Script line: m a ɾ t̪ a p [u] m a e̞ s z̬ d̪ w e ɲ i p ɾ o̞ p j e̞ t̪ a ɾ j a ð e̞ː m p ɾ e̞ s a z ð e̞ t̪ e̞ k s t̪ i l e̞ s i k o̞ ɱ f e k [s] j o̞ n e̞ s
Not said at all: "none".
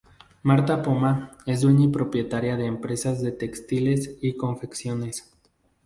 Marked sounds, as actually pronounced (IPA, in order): o, s

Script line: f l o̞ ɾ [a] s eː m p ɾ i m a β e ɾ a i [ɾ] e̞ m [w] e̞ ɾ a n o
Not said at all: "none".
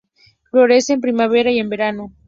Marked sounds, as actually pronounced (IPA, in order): e, none, b

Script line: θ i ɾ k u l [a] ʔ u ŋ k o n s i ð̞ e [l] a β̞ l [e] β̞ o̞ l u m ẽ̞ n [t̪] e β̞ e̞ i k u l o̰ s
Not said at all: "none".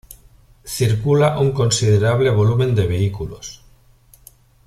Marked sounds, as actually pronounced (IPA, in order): a, ɾ, e, d̪

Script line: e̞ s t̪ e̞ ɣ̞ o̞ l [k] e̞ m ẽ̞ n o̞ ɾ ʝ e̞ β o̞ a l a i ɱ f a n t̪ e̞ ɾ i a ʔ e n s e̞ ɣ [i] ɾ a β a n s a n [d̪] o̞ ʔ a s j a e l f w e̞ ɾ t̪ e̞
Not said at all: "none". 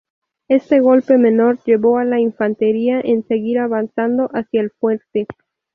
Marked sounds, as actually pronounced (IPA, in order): p, i, d̪

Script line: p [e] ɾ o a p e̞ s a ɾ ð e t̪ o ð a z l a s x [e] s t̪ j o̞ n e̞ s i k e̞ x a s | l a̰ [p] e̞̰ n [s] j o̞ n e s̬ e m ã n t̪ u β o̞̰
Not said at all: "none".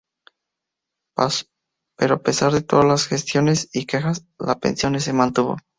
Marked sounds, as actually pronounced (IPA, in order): e, e, p, s

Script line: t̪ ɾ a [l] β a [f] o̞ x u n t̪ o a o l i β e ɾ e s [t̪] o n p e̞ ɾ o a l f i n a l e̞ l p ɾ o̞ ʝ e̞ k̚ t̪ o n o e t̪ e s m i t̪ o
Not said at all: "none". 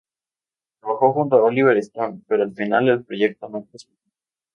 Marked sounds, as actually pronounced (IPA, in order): none, x, t̪

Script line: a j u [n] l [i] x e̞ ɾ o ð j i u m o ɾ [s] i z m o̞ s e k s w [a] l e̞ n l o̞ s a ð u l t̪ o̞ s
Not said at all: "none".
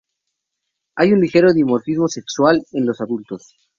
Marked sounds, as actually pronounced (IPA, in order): n, i, f, a

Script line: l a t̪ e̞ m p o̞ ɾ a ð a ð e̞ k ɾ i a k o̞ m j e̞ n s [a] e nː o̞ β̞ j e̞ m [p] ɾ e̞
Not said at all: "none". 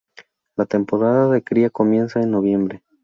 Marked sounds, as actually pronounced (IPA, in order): a, b

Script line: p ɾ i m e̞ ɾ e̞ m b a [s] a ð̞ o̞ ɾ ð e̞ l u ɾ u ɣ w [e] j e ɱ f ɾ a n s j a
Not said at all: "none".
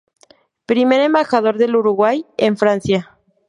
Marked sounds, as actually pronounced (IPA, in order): x, a

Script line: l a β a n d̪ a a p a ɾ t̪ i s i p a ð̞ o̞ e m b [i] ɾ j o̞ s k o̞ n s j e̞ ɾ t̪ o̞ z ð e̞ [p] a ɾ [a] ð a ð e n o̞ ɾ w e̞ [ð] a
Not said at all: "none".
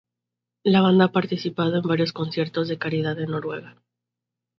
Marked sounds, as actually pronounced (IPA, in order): a, k, i, ɣ

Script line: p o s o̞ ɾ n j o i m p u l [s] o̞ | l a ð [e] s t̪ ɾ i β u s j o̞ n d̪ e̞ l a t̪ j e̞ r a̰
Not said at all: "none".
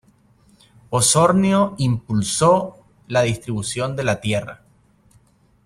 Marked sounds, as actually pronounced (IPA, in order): s, i

